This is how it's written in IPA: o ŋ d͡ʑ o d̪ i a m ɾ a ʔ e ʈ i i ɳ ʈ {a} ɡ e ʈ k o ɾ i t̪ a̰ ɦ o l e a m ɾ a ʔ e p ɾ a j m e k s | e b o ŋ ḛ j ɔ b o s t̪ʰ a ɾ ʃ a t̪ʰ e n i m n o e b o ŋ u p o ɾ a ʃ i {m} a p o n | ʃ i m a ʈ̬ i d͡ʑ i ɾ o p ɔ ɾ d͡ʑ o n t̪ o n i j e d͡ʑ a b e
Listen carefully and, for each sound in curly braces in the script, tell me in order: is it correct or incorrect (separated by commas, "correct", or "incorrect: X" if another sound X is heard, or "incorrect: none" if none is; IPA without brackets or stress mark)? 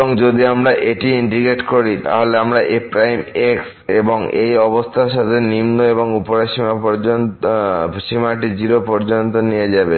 incorrect: i, correct